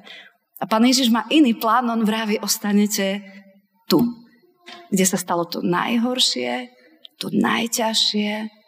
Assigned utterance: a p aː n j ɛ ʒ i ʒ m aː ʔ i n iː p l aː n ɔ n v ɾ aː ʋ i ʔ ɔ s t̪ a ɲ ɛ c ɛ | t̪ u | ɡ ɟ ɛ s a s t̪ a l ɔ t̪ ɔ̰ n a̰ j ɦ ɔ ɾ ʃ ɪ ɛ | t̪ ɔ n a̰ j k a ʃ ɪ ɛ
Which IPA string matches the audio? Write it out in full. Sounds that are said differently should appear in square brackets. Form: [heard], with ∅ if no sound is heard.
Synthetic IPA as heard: a p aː n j ɛ ʒ i ʒ m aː ʔ i n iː p l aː n ɔ n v ɾ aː ʋ i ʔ ɔ s t̪ a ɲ ɛ c ɛ | t̪ u | ɡ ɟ ɛ s a s t̪ a l ɔ t̪ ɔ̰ n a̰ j ɦ ɔ ɾ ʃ ɪ ɛ | t̪ ɔ n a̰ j [c] a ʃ ɪ ɛ